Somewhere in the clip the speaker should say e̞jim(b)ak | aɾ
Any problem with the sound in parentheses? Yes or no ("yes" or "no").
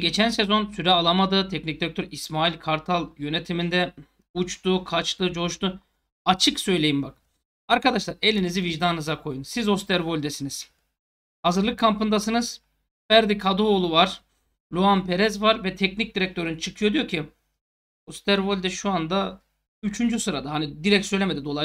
no